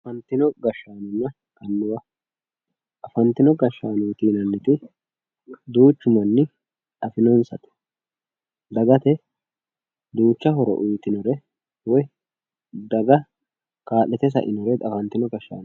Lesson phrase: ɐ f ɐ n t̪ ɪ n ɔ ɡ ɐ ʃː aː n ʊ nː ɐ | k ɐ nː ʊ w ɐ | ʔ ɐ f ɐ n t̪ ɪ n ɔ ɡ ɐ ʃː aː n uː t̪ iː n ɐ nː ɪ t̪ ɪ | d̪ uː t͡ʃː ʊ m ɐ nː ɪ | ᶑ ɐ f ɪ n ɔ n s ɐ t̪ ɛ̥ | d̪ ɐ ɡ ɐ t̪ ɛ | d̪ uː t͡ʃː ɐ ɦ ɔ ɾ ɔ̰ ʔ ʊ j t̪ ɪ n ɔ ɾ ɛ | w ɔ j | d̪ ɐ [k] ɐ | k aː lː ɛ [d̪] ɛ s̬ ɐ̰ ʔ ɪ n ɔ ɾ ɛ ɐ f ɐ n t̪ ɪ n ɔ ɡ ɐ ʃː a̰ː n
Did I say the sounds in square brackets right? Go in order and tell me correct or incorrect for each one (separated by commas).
incorrect, incorrect